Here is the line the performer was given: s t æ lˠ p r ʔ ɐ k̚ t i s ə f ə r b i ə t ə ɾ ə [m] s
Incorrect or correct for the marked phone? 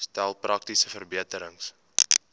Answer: incorrect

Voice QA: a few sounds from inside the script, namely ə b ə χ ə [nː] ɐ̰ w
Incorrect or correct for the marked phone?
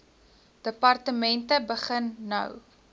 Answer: correct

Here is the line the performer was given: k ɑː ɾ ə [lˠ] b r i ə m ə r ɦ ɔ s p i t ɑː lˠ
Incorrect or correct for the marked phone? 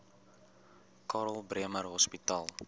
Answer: correct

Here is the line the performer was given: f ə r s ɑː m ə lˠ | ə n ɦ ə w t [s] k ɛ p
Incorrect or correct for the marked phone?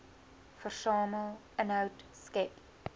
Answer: correct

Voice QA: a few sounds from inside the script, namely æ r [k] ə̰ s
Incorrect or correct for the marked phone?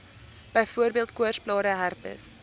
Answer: incorrect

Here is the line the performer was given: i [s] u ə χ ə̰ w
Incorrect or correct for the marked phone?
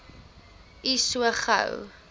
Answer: correct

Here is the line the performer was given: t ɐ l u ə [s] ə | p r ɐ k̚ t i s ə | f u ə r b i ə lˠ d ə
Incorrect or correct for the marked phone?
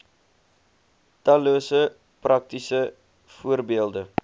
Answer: correct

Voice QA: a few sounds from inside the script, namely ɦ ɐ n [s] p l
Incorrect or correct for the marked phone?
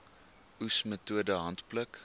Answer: incorrect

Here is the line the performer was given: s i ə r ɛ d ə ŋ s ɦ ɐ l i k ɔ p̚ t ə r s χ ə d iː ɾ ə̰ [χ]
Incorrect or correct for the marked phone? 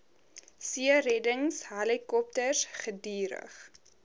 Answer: correct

